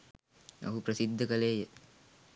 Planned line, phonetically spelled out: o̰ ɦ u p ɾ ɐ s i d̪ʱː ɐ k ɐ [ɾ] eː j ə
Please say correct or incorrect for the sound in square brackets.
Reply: incorrect